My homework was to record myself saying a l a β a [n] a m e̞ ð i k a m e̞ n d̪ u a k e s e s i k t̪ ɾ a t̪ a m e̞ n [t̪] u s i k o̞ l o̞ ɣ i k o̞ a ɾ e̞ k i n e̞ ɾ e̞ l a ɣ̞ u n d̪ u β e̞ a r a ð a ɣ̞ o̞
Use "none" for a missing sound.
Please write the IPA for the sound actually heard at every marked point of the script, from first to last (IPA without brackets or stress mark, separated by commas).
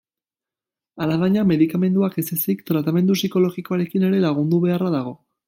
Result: ɲ, d̪